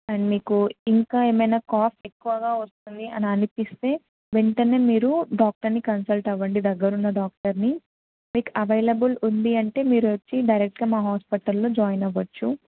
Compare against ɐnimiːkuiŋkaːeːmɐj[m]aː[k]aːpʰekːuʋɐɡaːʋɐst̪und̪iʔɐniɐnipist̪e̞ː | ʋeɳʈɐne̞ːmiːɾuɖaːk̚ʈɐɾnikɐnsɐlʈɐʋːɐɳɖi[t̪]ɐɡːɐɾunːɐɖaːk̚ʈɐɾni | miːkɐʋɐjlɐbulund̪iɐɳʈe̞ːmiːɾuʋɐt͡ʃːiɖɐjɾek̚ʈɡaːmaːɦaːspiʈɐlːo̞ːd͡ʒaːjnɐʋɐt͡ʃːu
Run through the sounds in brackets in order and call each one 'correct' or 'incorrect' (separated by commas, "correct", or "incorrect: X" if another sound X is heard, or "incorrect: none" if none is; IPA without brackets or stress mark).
incorrect: n, correct, incorrect: d̪